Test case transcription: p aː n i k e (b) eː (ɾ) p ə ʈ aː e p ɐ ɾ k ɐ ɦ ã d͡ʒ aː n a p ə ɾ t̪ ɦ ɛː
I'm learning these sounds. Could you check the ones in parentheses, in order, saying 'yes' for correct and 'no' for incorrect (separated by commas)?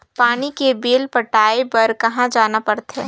yes, no